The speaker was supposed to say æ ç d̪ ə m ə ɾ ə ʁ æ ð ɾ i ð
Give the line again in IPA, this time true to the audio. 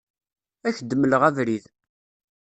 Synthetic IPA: æ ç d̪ ə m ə l ə ʁ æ v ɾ i ð